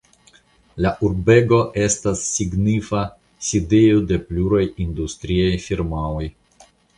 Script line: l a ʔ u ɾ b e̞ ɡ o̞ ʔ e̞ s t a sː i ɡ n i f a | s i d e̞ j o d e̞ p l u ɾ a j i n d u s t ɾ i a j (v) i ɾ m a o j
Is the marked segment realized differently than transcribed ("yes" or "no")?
yes